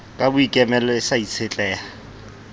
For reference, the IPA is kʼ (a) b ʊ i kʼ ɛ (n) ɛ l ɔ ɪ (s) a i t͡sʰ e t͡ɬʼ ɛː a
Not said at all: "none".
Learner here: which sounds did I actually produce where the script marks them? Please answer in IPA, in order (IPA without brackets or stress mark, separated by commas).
a, m, s